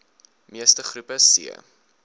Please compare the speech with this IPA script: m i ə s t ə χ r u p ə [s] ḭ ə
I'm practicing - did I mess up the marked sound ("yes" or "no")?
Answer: no